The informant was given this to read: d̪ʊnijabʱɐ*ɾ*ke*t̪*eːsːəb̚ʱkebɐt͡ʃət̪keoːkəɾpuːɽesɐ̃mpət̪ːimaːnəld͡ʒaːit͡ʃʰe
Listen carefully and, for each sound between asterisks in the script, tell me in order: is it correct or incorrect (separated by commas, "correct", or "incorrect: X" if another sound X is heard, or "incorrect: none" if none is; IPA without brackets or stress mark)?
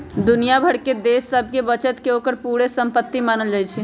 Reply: incorrect: ɽ, incorrect: d̪